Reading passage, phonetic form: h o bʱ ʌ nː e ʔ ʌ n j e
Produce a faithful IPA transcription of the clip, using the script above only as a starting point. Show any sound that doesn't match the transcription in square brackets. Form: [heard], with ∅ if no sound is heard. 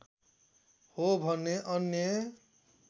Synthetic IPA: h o bʱ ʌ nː e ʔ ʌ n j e